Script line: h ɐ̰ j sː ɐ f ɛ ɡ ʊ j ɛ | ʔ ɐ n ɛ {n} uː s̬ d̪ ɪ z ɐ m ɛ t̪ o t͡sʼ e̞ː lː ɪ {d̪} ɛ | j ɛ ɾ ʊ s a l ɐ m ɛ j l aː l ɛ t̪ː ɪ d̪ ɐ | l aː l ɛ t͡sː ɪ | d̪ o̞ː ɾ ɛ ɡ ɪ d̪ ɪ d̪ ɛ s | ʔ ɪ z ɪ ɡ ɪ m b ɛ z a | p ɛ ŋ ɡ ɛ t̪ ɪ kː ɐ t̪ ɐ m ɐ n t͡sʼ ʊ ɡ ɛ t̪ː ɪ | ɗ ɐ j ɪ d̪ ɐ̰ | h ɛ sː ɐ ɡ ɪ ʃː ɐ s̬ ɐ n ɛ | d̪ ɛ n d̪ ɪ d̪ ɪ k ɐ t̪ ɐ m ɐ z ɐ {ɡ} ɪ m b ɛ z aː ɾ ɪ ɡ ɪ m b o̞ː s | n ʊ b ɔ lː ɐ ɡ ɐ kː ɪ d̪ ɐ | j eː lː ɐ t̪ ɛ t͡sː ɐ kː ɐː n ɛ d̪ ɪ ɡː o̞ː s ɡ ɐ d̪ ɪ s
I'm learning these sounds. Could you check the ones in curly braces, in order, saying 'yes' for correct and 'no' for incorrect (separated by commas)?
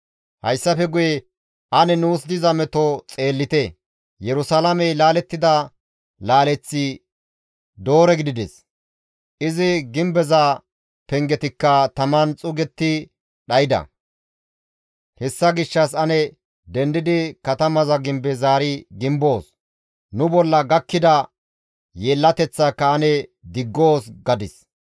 yes, no, yes